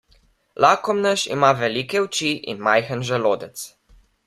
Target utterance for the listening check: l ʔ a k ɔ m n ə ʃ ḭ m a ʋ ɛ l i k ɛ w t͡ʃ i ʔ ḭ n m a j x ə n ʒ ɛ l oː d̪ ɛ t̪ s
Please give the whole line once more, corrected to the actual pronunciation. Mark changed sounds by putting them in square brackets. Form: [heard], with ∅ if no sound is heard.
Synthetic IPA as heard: l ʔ a k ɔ m n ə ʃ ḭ m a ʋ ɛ l i k ɛ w t͡ʃ i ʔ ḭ n m a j x ə n ʒ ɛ l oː d̪ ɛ t̪ s